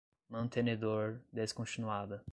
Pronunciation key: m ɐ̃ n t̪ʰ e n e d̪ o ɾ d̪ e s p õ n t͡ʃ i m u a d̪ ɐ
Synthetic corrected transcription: m ɐ̃ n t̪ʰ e n e d̪ o ɾ d̪ e s k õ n t͡ʃ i n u a d̪ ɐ